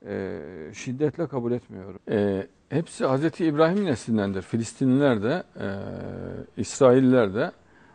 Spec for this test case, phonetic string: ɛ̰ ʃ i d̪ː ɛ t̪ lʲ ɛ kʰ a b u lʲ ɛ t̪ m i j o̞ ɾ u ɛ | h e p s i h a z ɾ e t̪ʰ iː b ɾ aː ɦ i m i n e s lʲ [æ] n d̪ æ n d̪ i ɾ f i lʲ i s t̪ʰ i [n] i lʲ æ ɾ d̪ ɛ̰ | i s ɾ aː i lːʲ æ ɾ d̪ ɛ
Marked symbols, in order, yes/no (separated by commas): no, yes